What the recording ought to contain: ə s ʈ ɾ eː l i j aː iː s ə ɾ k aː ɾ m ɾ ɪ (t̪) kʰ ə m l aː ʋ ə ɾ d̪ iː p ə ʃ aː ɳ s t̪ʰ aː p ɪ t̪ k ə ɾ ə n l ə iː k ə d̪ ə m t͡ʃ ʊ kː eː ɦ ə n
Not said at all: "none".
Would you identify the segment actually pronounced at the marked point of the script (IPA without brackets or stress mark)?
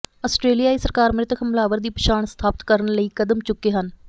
t̪